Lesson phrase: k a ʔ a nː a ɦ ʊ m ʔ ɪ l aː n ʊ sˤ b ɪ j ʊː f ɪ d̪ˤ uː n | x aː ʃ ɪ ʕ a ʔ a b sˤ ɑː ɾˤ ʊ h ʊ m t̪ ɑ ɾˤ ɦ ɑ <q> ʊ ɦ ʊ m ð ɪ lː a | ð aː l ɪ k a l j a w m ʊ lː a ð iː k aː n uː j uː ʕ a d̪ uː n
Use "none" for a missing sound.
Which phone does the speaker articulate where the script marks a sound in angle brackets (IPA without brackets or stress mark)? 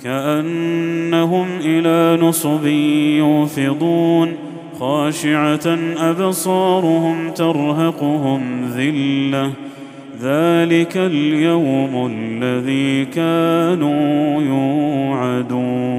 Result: q